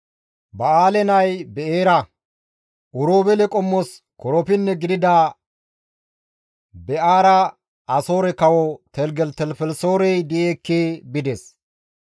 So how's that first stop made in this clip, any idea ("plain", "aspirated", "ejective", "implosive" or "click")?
plain